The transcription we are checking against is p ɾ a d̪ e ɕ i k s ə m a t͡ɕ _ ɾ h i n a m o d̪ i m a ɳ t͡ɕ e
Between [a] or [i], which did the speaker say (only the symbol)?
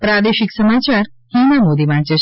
a